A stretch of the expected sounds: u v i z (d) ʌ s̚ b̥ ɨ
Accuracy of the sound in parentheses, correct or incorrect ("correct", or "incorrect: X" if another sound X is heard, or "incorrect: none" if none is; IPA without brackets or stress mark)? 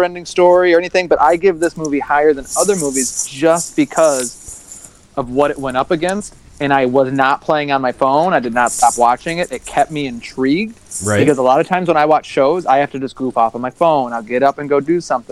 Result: incorrect: d͡ʒ